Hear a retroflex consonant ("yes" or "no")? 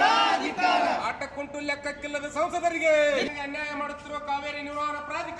yes